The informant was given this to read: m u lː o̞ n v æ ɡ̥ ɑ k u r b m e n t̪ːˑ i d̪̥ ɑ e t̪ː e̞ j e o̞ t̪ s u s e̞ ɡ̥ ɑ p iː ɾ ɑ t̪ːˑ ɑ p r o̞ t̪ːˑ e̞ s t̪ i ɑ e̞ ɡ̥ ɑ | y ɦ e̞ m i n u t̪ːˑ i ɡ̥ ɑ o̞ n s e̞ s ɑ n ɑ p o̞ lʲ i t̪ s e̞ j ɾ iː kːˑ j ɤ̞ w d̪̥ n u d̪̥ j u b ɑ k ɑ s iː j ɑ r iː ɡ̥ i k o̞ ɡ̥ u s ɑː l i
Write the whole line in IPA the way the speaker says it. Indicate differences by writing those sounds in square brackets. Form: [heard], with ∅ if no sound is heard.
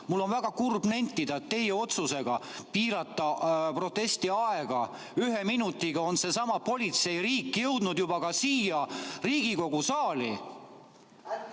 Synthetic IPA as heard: m u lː o̞ n v æ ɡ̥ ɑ k u r b [n] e n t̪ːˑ i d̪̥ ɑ e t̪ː e̞ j e o̞ t̪ s u s e̞ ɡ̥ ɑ p iː ɾ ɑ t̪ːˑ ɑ p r o̞ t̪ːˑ e̞ s t̪ i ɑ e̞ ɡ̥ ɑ | y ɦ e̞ m i n u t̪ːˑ i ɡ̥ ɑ o̞ n s e̞ s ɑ [m] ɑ p o̞ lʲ i t̪ s e̞ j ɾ iː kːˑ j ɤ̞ w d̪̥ n u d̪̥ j u b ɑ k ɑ s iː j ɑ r iː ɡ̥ i k o̞ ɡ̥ u s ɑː l i

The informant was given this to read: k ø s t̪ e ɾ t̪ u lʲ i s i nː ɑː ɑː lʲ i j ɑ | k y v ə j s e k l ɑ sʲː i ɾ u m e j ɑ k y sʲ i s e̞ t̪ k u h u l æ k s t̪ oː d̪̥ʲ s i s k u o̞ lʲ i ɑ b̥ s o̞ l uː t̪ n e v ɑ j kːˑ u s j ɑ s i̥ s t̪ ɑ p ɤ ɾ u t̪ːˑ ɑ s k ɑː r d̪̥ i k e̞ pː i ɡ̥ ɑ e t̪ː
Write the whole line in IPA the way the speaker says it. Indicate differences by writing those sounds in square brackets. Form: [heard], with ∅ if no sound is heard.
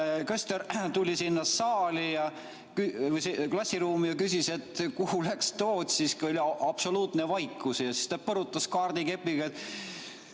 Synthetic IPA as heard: k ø s t̪ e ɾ t̪ u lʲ i s i nː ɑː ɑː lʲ i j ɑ | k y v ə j s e k l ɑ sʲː i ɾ [uː] m [i] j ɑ k y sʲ i s e̞ t̪ k u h u l æ k s t̪ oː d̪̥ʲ s i s k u o̞ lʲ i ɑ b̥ s o̞ l uː t̪ n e v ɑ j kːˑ u s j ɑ s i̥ s t̪ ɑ p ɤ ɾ u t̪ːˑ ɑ s k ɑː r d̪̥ i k e̞ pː i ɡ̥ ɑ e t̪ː

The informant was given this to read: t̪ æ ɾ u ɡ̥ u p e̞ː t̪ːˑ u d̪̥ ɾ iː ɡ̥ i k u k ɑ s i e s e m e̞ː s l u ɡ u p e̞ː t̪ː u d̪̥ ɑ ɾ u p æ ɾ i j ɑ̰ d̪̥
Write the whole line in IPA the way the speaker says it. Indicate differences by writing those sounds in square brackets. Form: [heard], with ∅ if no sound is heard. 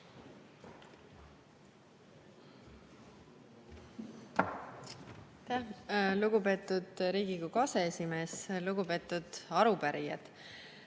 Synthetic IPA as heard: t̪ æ [l] u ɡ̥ u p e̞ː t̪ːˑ u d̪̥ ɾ iː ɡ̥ i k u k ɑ s [e] e s [i] m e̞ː s l u ɡ u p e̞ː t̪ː u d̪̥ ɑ ɾ u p æ ɾ i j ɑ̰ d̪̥

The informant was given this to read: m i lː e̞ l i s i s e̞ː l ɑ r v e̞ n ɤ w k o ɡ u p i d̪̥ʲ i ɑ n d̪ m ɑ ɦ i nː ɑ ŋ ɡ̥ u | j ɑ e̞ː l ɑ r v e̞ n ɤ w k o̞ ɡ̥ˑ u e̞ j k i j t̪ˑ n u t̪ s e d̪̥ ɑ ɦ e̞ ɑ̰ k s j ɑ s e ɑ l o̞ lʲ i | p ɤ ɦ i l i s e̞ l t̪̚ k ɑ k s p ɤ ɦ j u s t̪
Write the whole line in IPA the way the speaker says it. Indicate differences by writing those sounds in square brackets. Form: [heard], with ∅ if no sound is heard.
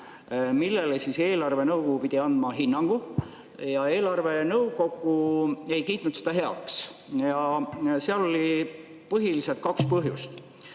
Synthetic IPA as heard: m i lː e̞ l [e] s i s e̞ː l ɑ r v e̞ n ɤ w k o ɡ u p i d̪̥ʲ i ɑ n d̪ m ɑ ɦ i nː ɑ ŋ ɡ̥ u | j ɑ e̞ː l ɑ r v e̞ n ɤ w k o̞ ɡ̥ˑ u e̞ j k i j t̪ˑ n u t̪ s e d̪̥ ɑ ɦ e̞ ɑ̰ k s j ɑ s e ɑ l o̞ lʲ i | p ɤ ɦ i l i s e̞ l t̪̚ k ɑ k s p ɤ ɦ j u s t̪

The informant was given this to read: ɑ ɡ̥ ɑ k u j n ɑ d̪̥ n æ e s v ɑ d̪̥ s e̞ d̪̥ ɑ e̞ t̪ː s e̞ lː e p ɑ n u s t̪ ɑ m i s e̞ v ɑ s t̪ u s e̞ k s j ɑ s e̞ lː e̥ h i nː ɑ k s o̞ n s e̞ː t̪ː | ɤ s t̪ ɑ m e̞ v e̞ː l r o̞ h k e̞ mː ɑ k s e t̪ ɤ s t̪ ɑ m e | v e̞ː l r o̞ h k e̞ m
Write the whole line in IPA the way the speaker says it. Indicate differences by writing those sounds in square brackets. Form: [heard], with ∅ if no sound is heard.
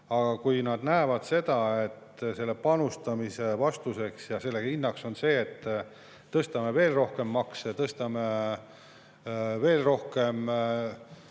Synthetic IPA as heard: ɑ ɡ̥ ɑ k u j n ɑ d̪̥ n æ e [∅] v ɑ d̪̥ s e̞ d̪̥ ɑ e̞ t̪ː s e̞ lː e p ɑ n u s t̪ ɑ m i s e̞ v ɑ s t̪ u s e̞ k s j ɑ s e̞ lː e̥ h i nː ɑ k s o̞ n s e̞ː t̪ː | ɤ s t̪ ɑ m e̞ v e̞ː l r o̞ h k e̞ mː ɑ k s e t̪ ɤ s t̪ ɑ m e | v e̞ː l r o̞ h k e̞ m

